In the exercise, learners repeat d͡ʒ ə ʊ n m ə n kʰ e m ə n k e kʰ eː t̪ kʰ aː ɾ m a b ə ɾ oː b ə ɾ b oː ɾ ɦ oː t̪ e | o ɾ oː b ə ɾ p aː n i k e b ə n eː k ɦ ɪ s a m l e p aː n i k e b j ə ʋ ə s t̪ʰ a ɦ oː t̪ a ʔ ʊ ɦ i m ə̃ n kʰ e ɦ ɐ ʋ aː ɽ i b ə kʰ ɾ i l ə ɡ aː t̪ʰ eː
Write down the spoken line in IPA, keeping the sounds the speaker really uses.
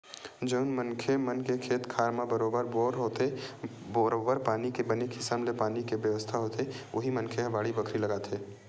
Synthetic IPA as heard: d͡ʒ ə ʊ n m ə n kʰ e m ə n k e kʰ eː t̪ kʰ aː ɾ m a b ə ɾ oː b ə ɾ b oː ɾ ɦ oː t̪ e | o ɾ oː b ə ɾ p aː n i k e b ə n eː k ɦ ɪ s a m l e p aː n i k e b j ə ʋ ə s t̪ʰ a ɦ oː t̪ e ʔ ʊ ɦ i m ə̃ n kʰ e ɦ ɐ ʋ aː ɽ i b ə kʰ ɾ i l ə ɡ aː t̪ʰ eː

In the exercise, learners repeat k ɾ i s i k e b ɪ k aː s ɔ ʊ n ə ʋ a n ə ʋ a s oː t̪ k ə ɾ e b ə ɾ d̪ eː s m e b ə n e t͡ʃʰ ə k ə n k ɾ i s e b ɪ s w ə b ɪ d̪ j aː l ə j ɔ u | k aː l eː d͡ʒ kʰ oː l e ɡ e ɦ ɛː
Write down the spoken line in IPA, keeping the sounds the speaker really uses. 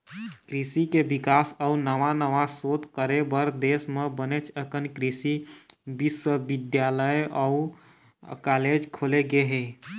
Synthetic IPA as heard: k ɾ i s i k e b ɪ k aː s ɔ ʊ n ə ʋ a n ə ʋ a s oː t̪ k ə ɾ e b ə ɾ d̪ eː s m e b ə n e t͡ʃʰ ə k ə n k ɾ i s i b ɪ s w ə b ɪ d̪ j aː l ə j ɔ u | k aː l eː d͡ʒ kʰ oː l e ɡ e ɦ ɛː

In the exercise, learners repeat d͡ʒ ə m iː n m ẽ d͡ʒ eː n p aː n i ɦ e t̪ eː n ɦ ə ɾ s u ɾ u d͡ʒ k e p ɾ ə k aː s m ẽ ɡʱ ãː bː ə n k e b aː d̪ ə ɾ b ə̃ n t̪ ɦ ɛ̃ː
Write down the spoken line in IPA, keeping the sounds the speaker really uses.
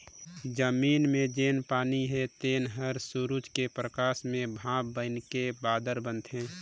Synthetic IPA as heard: d͡ʒ ə m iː n m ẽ d͡ʒ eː n p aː n i ɦ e t̪ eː n ɦ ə ɾ s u ɾ u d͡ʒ k e p ɾ ə k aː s m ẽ bʱ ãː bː ə n k e b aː d̪ ə ɾ b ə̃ n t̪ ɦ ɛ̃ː

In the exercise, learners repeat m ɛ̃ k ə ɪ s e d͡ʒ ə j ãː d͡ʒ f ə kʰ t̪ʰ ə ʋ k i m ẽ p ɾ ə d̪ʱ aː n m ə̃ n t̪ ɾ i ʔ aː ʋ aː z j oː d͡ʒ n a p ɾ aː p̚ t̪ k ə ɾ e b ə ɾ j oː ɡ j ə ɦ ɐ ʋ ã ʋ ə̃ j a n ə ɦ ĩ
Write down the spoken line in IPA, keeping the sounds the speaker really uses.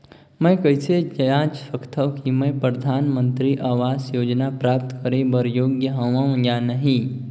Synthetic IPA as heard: m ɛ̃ k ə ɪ s e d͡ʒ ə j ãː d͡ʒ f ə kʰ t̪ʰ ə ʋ k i m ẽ p ɾ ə d̪ʱ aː n m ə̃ n t̪ ɾ i ʔ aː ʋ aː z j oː d͡ʒ n a p ɾ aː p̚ t̪ k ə ɾ e b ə ɾ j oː ɡ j ə ɦ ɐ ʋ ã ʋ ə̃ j a n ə ɦ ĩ

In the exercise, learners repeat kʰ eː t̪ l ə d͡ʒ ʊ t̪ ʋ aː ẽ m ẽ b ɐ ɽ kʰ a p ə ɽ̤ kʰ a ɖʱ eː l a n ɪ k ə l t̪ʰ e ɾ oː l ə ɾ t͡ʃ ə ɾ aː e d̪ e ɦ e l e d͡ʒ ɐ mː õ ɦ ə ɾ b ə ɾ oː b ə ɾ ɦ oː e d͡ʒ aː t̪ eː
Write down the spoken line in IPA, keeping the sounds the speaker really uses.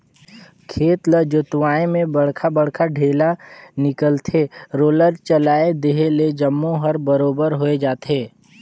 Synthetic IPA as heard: kʰ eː t̪ l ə d͡ʒ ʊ t̪ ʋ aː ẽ m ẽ b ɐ ɽ kʰ a b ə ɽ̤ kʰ a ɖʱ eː l a n ɪ k ə l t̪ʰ e ɾ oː l ə ɾ t͡ʃ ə l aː e d̪ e ɦ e l e d͡ʒ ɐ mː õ ɦ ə ɾ b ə ɾ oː b ə ɾ ɦ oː e d͡ʒ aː t̪ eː

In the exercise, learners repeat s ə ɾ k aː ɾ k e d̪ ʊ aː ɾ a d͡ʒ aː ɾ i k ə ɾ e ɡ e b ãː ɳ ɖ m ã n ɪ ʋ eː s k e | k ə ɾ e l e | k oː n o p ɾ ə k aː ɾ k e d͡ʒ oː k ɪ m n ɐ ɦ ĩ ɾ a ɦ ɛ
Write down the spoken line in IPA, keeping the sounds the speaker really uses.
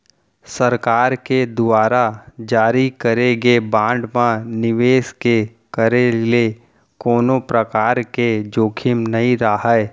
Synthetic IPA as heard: s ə ɾ k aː ɾ k e d̪ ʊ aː ɾ a d͡ʒ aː ɾ i k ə ɾ e ɡ e b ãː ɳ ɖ m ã n ɪ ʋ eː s k e | k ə ɾ e l e | k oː n o p ɾ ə k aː ɾ k e d͡ʒ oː kʰ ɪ m n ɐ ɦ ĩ ɾ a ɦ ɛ

